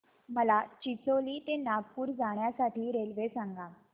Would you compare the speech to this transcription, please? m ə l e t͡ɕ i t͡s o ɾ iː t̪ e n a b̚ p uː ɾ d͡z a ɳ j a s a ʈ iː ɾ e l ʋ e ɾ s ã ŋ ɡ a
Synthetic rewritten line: m ə l a t͡ɕ i t͡s o l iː t̪ e n a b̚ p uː ɾ d͡z a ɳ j a s a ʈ iː ɾ e l ʋ e s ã ŋ ɡ a